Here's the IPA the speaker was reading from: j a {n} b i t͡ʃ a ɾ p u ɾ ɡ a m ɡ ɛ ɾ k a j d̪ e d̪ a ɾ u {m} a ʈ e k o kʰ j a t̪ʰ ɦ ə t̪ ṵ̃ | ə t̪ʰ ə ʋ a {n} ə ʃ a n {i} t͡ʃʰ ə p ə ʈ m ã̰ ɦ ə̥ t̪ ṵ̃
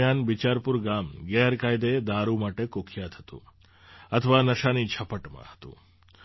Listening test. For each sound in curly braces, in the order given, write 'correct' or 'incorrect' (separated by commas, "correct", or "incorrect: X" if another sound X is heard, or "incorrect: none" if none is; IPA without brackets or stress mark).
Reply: correct, correct, correct, correct